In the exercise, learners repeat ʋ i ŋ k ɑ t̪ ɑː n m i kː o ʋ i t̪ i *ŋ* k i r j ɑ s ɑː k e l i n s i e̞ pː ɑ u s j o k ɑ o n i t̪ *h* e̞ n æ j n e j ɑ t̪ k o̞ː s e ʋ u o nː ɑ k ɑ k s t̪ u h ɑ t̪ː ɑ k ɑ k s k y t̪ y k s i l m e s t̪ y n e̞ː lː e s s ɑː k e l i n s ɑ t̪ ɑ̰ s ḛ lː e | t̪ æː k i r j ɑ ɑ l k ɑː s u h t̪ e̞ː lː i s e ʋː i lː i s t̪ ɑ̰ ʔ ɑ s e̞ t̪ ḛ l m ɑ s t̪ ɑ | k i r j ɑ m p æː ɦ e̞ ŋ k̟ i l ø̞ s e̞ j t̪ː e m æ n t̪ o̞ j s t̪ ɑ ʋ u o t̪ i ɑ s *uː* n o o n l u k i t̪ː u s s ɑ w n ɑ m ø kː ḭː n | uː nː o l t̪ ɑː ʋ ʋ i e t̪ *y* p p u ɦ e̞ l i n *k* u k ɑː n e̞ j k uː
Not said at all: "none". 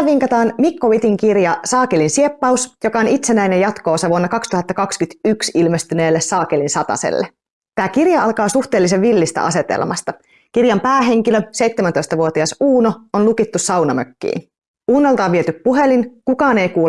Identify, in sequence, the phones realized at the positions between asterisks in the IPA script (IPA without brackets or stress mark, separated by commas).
ŋ, s, uː, y, k